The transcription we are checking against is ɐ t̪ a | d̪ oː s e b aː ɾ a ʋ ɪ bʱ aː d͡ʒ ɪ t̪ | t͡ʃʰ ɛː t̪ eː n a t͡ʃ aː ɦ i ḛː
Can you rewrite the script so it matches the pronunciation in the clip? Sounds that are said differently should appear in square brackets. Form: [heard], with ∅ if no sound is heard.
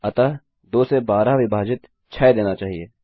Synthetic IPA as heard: ɐ t̪ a | d̪ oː s e b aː ɾ a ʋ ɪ bʱ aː d͡ʒ ɪ t̪ | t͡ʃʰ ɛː [d̪] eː n a t͡ʃ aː ɦ i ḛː